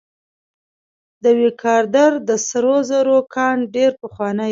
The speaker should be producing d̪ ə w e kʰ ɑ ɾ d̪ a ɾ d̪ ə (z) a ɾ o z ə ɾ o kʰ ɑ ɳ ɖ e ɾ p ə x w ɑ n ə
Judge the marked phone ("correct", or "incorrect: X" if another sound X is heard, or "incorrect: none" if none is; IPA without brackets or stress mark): incorrect: s